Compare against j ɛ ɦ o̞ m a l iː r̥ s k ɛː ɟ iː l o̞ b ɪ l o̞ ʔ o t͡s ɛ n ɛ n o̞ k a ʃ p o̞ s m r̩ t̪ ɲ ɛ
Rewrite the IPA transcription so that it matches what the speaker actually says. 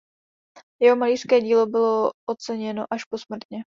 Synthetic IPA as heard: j ɛ ɦ o̞ m a l iː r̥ s k ɛː ɟ iː l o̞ b ɪ l o̞ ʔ o t͡s ɛ ɲ ɛ n o̞ ʔ a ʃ p o̞ s m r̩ t̪ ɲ ɛ